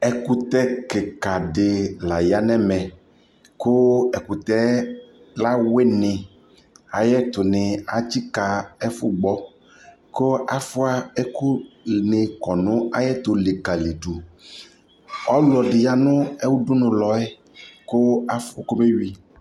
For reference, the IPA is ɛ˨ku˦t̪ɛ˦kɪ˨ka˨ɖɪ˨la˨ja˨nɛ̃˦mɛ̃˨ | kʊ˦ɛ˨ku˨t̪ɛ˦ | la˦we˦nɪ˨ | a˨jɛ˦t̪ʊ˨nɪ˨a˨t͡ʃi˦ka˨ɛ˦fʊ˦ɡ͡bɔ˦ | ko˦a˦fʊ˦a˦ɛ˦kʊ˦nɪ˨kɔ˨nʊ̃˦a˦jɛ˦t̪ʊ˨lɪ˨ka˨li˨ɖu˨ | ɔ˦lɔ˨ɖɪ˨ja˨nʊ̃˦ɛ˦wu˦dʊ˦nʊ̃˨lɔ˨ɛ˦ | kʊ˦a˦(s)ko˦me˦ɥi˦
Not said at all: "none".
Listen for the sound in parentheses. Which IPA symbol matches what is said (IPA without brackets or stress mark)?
f